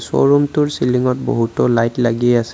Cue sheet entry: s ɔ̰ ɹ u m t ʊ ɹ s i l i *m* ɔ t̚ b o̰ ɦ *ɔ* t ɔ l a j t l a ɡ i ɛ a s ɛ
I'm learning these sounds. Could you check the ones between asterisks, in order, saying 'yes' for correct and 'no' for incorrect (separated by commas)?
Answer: no, no